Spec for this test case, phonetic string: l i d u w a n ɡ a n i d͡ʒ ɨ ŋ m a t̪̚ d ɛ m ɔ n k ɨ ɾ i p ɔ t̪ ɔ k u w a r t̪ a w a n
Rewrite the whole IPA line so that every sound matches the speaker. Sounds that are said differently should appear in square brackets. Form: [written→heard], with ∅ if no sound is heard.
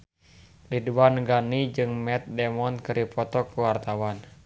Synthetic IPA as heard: l i d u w a n ɡ a n i d͡ʒ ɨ ŋ m [a→ɛ] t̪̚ d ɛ m ɔ n k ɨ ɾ i p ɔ t̪ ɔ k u w a r t̪ a w a n